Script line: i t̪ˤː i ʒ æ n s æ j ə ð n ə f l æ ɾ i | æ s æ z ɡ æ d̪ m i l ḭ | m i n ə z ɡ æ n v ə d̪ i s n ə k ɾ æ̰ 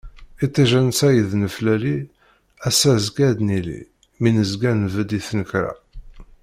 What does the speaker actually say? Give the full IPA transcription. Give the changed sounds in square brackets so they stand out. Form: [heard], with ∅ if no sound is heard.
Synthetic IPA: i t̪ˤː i ʒ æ n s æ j ə ð n ə f l æ [l] i | æ s æ z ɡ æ d̪ [n] i l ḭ | m i n ə z ɡ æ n v ə d̪ i [θ] n ə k ɾ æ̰